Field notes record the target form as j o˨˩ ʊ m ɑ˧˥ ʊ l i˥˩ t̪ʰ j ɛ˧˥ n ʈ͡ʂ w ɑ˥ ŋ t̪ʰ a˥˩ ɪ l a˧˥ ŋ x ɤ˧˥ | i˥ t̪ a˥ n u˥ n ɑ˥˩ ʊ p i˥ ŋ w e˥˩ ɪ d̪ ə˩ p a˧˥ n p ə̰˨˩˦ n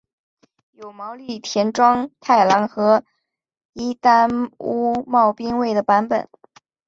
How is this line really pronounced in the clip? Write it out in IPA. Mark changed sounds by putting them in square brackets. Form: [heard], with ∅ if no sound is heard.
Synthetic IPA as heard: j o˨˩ ʊ m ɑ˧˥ ʊ l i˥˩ t̪ʰ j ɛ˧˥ n ʈ͡ʂ w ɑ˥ ŋ t̪ʰ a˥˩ ɪ l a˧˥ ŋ x ɤ˧˥ | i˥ t̪ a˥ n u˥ [m] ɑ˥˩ ʊ p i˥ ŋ w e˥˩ ɪ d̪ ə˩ p a˧˥ n p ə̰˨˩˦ n